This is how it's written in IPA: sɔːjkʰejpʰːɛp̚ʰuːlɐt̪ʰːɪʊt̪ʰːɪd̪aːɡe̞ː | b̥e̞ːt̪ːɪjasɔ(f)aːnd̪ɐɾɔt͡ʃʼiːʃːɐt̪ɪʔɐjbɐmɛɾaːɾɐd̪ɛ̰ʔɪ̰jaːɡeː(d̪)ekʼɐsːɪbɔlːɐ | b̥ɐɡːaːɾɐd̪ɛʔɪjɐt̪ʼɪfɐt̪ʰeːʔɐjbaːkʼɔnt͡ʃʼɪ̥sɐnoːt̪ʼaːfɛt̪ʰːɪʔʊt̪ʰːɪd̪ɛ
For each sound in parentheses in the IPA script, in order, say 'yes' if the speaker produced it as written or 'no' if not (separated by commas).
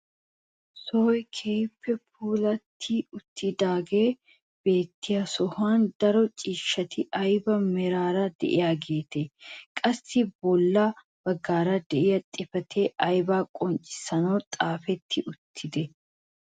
no, no